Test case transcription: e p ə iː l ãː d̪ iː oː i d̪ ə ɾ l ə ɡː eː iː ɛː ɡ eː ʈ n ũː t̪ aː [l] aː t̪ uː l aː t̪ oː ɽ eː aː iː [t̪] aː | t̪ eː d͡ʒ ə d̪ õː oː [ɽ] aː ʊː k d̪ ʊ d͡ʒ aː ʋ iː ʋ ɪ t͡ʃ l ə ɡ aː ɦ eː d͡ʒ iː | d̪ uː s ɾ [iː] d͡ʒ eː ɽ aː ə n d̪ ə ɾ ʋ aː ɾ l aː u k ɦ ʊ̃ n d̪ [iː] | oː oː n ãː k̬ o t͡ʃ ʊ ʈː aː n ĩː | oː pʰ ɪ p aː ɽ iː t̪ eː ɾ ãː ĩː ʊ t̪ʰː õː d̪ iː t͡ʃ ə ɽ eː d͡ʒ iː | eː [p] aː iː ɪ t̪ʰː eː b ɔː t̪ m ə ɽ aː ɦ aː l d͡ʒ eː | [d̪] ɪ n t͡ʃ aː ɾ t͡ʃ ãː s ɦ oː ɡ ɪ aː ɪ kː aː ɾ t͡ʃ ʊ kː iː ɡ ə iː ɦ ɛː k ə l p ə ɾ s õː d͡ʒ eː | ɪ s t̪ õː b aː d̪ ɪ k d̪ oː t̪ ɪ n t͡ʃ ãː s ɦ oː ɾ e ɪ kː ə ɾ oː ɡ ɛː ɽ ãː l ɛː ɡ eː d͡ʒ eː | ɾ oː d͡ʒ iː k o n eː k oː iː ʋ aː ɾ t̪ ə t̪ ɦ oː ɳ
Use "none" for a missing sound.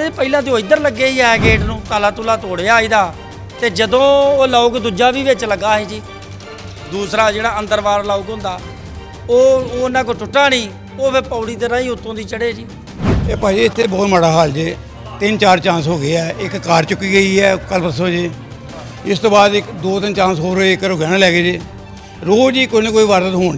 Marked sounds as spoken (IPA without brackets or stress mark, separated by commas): l, d̪, l, aː, aː, p, t̪